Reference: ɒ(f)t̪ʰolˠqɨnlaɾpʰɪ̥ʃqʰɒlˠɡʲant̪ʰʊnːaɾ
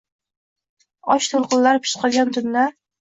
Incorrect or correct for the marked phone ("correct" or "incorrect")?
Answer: incorrect